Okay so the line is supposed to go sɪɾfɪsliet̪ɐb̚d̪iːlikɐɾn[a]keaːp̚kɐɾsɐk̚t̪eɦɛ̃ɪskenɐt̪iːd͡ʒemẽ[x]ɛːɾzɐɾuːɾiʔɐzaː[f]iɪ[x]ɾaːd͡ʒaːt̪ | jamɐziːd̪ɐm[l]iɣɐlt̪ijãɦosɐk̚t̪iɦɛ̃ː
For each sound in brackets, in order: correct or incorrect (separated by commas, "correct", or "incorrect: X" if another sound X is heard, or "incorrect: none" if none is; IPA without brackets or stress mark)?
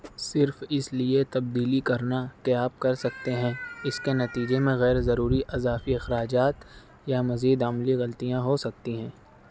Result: correct, incorrect: ɣ, correct, correct, correct